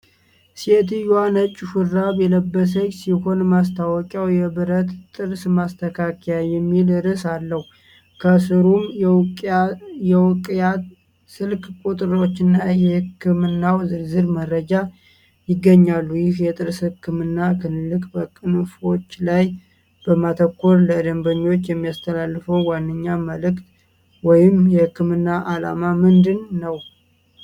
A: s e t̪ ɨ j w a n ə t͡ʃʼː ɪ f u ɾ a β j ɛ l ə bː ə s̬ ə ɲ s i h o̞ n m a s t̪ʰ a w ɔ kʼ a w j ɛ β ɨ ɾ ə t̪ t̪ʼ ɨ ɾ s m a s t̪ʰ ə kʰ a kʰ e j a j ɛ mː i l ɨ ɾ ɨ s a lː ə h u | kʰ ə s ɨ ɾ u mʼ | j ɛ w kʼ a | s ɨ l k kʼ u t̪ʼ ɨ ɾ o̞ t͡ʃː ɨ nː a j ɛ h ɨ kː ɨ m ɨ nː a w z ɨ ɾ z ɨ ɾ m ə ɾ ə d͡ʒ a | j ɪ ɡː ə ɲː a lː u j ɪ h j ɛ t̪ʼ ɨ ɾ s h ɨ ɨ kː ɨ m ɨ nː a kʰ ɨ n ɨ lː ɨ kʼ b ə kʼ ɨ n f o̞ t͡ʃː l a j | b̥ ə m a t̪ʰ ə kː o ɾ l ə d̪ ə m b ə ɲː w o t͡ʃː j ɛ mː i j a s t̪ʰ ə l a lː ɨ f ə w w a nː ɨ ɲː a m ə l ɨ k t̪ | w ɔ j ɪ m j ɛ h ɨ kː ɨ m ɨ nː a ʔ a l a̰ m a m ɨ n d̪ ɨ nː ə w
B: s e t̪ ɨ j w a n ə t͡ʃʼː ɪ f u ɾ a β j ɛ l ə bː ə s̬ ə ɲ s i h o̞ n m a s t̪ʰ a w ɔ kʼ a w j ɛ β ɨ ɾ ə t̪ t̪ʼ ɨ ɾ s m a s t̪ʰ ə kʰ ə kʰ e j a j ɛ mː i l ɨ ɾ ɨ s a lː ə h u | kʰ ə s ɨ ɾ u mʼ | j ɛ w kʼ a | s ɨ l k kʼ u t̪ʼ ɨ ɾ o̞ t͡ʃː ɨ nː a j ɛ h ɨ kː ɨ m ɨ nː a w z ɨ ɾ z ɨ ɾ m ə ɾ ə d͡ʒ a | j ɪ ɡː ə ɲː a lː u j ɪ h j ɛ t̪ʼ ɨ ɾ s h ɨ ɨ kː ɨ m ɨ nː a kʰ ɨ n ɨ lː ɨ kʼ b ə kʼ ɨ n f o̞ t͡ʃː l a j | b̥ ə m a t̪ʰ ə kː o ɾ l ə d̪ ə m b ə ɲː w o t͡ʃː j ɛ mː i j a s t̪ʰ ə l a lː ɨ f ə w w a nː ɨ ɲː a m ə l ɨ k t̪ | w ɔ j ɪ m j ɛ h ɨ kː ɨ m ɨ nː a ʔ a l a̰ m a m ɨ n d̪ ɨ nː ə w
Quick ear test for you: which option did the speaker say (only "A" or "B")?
A